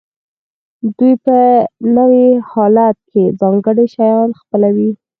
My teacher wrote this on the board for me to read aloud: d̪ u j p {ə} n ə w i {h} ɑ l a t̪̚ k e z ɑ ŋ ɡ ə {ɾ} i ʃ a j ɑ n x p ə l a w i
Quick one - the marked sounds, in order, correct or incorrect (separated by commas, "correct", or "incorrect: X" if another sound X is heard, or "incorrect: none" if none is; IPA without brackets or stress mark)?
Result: correct, correct, incorrect: ɽ